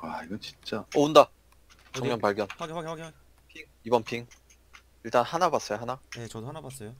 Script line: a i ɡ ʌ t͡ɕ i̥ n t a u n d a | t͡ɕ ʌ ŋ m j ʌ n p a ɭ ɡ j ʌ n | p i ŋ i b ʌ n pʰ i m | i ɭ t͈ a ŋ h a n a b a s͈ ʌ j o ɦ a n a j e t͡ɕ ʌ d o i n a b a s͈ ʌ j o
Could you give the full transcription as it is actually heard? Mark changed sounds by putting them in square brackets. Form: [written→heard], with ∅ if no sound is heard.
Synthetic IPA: a i ɡ ʌ t͡ɕ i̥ n [t→t͡ɕ͈] a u n d a | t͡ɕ ʌ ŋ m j ʌ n p a ɭ ɡ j ʌ n | [p→pʰ] i ŋ i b ʌ n pʰ i [m→ŋ] | i ɭ t͈ a [ŋ→n] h a n a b a s͈ ʌ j o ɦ a n a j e t͡ɕ ʌ d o [i→a] n a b a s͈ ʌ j o